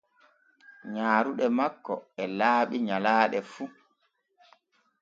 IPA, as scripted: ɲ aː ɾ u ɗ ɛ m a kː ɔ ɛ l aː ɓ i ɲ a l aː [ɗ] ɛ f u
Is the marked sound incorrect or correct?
correct